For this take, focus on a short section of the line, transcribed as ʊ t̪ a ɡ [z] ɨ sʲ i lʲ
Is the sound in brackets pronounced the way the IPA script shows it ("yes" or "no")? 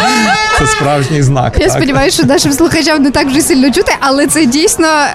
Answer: no